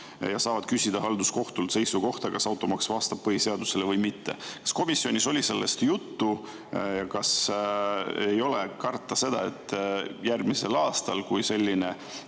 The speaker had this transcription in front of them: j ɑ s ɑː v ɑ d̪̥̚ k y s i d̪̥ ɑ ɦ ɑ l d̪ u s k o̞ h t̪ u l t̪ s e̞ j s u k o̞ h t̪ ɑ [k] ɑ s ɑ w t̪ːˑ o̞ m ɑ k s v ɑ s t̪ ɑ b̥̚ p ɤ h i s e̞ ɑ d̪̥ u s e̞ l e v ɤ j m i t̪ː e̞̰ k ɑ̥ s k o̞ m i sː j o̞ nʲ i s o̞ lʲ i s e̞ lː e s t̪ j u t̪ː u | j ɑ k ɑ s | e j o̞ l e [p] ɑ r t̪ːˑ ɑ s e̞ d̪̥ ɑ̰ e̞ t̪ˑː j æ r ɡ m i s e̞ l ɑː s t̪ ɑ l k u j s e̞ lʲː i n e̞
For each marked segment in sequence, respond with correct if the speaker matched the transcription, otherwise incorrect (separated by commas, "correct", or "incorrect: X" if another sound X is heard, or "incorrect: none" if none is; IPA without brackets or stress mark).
correct, incorrect: k